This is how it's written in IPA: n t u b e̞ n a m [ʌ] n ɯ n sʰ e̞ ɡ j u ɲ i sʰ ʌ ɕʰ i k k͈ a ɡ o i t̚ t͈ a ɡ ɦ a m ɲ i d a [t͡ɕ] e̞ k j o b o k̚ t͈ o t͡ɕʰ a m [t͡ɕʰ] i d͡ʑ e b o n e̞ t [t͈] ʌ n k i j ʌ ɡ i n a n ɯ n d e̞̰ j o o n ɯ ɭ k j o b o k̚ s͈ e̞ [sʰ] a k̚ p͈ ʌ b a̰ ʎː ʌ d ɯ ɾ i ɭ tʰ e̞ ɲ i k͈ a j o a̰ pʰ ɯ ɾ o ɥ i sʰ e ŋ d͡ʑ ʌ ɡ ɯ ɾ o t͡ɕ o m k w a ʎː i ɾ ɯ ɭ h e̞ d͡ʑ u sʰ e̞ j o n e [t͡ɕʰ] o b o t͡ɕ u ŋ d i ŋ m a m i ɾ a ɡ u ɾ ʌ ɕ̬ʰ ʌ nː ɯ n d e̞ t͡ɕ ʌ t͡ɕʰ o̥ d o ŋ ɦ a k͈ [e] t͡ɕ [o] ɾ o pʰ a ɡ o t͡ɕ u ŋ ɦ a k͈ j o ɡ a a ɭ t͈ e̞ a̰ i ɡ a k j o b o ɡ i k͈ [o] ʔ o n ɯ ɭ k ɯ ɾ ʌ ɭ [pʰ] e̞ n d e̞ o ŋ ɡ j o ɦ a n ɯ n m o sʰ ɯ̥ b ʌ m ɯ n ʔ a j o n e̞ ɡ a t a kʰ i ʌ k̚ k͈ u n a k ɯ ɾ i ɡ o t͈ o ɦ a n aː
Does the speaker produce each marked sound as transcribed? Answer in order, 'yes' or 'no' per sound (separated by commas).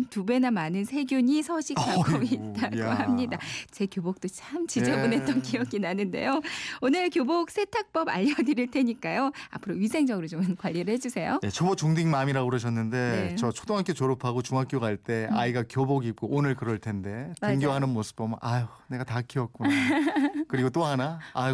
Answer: no, yes, no, yes, no, yes, yes, yes, yes, no